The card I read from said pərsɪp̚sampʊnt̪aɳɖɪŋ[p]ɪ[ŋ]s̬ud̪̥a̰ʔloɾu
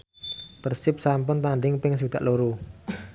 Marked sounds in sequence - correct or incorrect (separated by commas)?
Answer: correct, correct